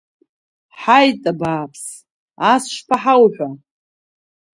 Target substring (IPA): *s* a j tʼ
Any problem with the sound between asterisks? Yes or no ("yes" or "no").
yes